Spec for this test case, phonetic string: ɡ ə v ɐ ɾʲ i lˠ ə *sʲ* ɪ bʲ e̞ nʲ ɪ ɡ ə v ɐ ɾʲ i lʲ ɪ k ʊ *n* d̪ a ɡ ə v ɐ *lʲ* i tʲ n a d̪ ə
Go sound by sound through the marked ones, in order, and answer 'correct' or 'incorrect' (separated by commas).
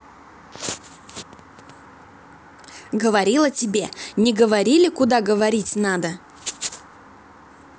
incorrect, incorrect, incorrect